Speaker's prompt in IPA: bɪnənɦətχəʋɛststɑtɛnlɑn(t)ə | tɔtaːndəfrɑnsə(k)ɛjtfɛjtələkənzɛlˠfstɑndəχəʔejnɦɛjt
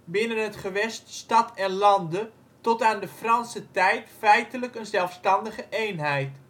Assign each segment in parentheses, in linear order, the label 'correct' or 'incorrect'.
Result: incorrect: d, incorrect: t

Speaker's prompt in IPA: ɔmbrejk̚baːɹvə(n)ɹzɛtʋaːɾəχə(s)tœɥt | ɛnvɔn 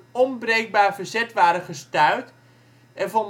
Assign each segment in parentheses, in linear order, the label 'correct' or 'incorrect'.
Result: incorrect: none, correct

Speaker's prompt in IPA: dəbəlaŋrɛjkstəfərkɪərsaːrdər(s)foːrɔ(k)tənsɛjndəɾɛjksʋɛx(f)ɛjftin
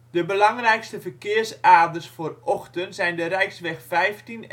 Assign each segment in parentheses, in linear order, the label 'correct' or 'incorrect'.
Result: correct, incorrect: x, correct

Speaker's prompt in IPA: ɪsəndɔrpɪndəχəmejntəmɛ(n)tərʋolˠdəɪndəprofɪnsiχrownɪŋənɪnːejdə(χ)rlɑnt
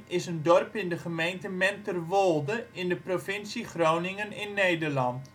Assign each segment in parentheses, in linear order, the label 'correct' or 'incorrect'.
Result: correct, incorrect: none

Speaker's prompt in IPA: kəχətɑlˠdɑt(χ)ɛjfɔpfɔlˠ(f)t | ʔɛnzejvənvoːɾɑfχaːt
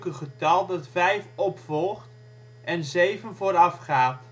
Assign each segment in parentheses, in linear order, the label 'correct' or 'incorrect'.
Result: incorrect: f, incorrect: χ

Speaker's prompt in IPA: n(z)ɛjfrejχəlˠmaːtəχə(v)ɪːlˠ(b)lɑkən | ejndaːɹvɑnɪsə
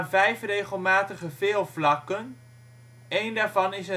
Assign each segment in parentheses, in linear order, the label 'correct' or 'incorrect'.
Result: incorrect: v, correct, incorrect: v

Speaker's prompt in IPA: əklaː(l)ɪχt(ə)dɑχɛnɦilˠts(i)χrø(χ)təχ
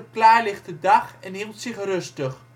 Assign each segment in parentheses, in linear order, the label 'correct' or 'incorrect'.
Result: correct, correct, incorrect: ɪ, incorrect: s

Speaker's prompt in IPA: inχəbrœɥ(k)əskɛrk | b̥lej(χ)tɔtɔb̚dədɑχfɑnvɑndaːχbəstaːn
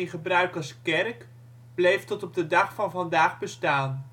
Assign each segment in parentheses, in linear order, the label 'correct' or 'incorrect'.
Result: correct, incorrect: f

